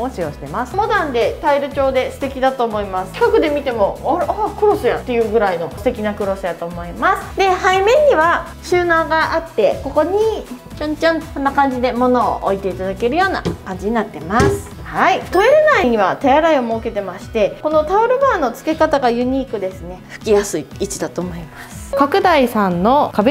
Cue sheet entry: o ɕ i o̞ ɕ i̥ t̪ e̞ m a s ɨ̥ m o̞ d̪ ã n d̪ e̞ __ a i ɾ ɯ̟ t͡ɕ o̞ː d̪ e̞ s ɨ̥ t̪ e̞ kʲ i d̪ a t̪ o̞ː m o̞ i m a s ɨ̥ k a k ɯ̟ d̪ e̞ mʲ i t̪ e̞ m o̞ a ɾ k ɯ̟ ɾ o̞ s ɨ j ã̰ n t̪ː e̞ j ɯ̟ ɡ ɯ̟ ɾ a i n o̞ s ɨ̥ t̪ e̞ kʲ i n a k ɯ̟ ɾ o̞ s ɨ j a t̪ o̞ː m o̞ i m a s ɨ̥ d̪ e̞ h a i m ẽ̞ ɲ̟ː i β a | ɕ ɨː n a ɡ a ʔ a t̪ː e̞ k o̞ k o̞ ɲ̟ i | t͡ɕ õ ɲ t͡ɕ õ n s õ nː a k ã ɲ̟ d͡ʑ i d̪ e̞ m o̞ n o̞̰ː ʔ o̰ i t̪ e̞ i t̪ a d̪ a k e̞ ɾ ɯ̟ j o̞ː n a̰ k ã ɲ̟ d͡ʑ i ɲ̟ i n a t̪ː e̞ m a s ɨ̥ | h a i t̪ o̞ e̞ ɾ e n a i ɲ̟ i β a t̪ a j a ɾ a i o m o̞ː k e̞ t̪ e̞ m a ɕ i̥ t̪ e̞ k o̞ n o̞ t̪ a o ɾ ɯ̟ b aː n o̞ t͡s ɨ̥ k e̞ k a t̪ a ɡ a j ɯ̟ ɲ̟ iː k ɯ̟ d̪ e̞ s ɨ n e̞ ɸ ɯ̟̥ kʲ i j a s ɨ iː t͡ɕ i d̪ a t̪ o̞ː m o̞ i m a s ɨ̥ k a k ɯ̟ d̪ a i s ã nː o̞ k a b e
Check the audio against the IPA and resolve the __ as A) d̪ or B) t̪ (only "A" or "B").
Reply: B